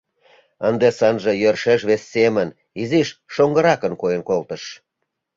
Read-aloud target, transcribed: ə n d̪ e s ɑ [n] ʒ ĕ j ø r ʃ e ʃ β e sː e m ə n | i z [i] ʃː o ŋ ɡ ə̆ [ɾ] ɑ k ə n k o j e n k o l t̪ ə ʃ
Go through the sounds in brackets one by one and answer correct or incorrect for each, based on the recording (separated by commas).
correct, correct, correct